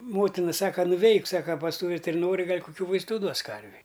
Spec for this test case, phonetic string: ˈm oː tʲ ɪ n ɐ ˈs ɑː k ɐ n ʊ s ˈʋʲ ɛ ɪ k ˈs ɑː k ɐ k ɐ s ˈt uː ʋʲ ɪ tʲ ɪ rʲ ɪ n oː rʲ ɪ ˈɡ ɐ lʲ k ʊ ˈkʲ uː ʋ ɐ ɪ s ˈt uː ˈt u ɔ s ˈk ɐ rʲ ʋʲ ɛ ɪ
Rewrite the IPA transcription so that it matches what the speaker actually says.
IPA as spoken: ˈm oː tʲ ɪ n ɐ ˈs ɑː k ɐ n ʊ ˈʋʲ ɛ ɪ k ˈs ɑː k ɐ p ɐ s ˈt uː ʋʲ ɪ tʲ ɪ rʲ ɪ n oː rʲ ɪ ˈɡ ɐ lʲ k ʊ ˈkʲ uː ʋ ɐ ɪ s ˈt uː ˈd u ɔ s ˈk ɐ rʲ ʋʲ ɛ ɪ